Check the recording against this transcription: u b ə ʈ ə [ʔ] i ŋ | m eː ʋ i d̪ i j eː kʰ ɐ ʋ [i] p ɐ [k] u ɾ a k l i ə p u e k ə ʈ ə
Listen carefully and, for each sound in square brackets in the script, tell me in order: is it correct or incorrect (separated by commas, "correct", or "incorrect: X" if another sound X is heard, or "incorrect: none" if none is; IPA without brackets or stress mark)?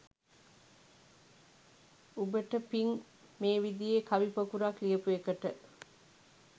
incorrect: p, correct, correct